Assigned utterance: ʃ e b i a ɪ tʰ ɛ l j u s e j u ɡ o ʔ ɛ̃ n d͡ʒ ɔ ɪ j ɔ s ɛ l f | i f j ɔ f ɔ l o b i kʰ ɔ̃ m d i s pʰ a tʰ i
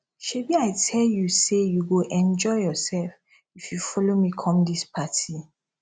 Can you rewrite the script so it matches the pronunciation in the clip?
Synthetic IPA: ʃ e b i a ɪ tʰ ɛ l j u s e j u ɡ o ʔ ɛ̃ n d͡ʒ ɔ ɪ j ɔ s ɛ l f | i f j u f ɔ l o m i kʰ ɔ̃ m d i s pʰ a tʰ i